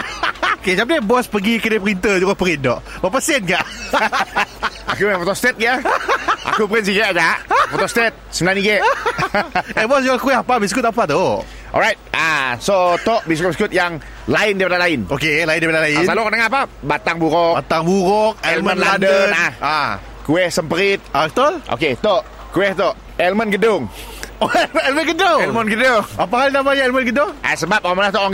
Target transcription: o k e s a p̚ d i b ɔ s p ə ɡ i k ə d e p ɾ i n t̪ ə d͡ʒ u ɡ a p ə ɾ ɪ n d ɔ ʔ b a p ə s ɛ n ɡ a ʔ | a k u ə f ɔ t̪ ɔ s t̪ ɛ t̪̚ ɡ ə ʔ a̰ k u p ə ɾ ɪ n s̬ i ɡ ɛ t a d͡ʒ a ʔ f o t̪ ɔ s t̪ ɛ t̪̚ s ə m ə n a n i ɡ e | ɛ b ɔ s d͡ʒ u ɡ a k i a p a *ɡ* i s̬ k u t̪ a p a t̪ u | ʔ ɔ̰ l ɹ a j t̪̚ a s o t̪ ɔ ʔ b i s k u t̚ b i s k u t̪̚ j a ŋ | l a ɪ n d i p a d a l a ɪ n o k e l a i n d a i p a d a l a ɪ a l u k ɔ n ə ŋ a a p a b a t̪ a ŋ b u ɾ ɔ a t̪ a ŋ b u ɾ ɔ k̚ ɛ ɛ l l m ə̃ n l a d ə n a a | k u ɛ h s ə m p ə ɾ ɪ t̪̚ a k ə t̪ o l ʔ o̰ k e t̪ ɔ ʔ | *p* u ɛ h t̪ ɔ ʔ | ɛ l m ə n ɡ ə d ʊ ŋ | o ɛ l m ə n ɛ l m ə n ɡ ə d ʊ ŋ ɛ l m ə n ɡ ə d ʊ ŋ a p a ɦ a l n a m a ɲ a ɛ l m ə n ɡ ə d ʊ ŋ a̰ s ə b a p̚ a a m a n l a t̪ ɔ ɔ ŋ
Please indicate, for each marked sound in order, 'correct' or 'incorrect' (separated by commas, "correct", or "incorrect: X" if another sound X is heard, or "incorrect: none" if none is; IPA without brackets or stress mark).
incorrect: b, incorrect: k